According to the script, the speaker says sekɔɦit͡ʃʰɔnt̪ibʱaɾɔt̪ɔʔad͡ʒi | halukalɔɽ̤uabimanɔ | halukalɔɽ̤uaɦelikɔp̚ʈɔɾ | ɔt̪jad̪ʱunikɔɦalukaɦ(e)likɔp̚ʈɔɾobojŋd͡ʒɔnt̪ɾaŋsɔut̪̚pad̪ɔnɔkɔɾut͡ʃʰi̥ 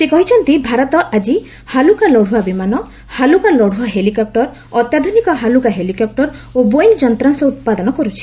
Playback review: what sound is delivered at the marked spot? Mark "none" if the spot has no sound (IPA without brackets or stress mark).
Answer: e